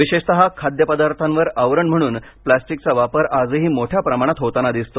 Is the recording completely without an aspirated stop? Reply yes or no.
no